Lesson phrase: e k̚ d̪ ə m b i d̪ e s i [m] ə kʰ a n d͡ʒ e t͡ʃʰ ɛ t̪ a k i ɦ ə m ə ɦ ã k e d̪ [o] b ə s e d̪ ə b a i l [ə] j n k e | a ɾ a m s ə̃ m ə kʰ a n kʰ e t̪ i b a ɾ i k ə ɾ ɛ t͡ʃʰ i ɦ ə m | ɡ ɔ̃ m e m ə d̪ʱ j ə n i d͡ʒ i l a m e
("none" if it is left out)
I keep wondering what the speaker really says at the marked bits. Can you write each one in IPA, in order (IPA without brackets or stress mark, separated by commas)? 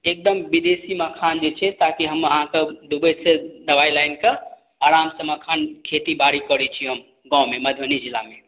m, u, a